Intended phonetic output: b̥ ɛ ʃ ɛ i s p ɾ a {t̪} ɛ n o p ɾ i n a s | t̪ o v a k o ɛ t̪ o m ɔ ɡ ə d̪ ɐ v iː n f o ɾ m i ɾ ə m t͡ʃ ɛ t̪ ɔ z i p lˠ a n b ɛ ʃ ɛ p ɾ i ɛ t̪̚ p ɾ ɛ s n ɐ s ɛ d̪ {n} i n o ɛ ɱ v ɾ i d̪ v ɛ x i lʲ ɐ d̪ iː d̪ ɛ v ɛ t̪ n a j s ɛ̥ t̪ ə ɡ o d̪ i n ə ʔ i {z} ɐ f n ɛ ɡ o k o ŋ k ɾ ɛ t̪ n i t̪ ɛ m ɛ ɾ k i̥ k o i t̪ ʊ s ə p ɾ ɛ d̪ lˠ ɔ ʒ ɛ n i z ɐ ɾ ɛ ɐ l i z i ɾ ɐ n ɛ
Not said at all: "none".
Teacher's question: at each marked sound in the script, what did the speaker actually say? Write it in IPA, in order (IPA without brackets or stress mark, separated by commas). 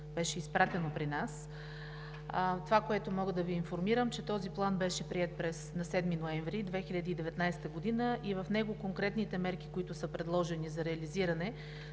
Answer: t̪, m, v